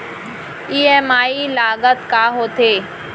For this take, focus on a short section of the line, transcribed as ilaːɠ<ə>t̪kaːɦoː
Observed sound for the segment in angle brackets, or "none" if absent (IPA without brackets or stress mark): ə